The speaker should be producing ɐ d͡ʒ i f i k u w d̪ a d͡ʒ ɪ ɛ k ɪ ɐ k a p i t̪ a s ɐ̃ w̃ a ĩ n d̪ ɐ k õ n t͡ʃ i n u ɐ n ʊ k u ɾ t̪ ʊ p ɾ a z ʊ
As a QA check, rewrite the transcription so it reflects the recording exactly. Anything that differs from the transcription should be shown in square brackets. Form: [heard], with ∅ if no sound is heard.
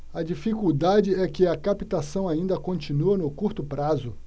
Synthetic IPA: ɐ d͡ʒ i f i k u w d̪ a d͡ʒ ɪ ɛ k ɪ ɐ k a p i t̪ a s ɐ̃ w̃ a ĩ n d̪ ɐ k õ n t͡ʃ i n u ɐ n ʊ k u ɾ t̪ ʊ p ɾ a z ʊ